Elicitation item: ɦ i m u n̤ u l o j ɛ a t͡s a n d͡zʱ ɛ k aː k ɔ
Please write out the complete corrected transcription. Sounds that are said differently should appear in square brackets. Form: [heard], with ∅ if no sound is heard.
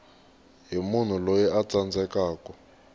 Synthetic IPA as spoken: ɦ i m u n̤ u l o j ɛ a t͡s a n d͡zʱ ɛ k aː k ɔ